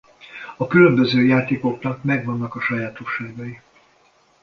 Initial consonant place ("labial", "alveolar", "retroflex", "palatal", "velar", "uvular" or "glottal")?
velar